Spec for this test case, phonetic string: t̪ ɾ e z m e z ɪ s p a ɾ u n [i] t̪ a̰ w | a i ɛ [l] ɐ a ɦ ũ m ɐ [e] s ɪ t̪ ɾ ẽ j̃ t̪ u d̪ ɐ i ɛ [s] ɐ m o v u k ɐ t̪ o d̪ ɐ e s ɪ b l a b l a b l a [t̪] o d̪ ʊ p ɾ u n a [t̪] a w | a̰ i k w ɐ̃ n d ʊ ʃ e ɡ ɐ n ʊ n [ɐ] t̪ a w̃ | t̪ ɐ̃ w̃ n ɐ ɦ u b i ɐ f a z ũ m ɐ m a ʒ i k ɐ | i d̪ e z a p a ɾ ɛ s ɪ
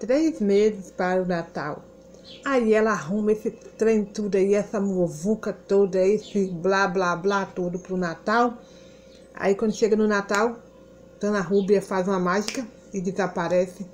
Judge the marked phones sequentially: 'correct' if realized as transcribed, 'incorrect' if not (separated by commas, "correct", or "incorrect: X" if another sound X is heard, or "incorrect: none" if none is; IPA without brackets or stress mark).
incorrect: a, correct, correct, correct, correct, correct, incorrect: a